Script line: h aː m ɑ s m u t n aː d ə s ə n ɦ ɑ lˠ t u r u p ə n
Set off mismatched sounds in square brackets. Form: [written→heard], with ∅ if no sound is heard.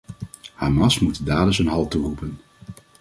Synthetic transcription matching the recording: h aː m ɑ s m u t [n→d] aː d ə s ə n ɦ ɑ lˠ t u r u p ə n